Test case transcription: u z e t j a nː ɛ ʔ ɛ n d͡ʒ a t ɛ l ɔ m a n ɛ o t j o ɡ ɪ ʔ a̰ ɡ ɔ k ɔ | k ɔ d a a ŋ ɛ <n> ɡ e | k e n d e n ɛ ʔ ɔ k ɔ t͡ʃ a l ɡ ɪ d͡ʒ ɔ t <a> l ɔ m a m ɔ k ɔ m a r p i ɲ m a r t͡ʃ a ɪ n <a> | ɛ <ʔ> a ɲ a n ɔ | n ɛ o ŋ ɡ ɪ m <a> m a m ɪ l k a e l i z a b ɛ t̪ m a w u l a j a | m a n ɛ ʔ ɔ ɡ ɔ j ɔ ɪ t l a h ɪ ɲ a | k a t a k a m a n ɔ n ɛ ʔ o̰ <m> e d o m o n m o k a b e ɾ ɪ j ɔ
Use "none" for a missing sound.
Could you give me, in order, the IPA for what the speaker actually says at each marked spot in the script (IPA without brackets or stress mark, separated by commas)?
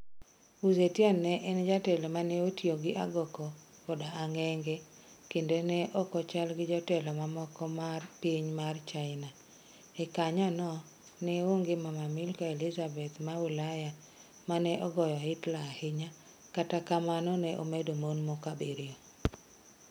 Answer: ŋ, ɛ, a, k, a, m